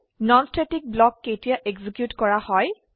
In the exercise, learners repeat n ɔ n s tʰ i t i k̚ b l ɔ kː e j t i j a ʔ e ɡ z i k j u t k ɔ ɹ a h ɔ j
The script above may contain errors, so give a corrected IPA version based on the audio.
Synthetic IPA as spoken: n ɔ n s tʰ e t i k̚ b l ɔ kː e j t i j a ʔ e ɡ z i k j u t k ɔ ɹ a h ɔ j